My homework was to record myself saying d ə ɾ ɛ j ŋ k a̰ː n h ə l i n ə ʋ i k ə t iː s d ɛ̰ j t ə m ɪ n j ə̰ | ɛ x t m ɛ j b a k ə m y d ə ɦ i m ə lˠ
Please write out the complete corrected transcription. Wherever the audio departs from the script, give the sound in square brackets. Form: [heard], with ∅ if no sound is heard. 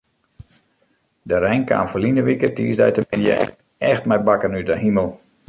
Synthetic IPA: d ə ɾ ɛ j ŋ k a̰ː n [f] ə l i n ə ʋ i k ə t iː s d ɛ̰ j t ə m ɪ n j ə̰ | ɛ x t m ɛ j b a k ə [n] y d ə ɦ i m ə lˠ